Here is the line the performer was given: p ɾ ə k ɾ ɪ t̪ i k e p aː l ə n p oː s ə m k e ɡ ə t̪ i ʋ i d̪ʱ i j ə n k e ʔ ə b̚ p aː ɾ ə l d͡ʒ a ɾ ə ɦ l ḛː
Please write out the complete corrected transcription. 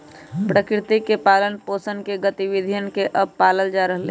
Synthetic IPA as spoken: p ɾ ə k ɾ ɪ t̪ i k e p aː l ə n p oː s ə n k e ɡ ə t̪ i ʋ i d̪ʱ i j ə n k e ʔ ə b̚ p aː l ə l d͡ʒ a ɾ ə ɦ l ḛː